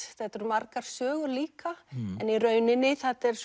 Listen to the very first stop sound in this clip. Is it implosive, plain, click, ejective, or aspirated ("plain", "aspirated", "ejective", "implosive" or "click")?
plain